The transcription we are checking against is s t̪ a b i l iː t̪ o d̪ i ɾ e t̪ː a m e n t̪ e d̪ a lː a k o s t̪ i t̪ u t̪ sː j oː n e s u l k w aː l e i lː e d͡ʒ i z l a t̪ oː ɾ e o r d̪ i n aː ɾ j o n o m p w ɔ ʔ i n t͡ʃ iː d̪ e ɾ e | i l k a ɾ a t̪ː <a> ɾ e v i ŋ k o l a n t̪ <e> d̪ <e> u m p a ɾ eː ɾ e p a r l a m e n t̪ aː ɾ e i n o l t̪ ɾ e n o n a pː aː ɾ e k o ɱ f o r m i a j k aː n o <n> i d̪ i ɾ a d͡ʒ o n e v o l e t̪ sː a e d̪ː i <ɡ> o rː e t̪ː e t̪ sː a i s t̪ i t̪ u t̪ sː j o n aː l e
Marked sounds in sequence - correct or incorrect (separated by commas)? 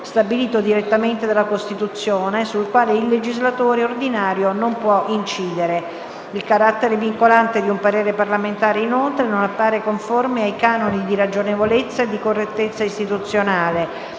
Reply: incorrect, correct, incorrect, correct, incorrect